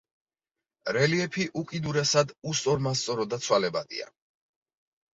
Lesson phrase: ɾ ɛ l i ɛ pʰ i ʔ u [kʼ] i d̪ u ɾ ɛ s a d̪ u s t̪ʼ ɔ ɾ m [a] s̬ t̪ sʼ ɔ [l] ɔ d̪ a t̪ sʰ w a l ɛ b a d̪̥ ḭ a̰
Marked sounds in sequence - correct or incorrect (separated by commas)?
correct, correct, incorrect